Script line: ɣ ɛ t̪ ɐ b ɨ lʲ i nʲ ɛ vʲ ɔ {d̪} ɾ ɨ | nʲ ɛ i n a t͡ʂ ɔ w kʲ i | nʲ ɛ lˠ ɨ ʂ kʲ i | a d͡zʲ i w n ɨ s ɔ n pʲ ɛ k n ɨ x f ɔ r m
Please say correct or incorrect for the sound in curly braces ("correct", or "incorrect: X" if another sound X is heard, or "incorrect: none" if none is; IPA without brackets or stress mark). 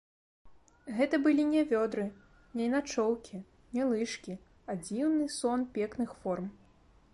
correct